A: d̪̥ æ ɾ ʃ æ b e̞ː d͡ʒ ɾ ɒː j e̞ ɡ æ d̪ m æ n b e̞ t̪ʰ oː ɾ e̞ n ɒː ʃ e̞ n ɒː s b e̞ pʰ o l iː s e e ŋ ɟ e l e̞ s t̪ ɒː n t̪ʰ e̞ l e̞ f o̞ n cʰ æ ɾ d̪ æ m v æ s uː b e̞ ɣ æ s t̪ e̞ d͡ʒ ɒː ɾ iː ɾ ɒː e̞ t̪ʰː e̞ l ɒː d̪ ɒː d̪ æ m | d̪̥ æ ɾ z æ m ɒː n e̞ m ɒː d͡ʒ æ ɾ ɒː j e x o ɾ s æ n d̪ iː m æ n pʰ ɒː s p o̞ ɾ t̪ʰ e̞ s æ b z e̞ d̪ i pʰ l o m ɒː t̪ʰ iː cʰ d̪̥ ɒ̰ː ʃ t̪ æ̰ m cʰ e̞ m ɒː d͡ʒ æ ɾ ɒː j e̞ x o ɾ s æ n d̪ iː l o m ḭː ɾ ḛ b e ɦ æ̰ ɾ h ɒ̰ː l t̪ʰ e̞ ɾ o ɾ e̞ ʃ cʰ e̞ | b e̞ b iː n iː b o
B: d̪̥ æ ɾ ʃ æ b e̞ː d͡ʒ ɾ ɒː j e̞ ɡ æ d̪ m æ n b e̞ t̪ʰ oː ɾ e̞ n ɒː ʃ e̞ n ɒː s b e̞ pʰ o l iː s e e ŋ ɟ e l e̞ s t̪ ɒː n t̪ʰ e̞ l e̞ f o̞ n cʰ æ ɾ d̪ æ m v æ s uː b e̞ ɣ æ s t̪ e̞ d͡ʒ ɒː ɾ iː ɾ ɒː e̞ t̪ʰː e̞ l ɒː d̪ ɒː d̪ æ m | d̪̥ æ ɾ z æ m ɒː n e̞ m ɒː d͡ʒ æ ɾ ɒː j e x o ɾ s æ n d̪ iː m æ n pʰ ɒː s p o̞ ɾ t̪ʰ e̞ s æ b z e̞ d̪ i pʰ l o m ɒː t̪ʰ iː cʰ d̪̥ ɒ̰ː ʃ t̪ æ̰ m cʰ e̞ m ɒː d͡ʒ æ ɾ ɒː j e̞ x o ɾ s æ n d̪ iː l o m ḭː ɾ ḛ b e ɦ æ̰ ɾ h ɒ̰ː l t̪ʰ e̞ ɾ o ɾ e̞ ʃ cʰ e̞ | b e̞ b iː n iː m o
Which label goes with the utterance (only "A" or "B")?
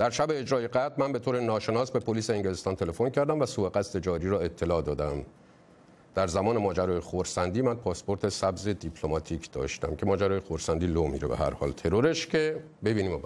B